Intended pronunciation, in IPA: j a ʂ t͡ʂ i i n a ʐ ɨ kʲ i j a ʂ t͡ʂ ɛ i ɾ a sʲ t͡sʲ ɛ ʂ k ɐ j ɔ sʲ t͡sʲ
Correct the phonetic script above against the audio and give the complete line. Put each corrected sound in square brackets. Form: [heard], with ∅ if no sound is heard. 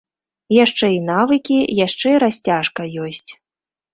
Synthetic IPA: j a ʂ t͡ʂ [ɛ] i n a [v] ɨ kʲ i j a ʂ t͡ʂ ɛ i ɾ a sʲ t͡sʲ [a] ʂ k ɐ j ɔ sʲ t͡sʲ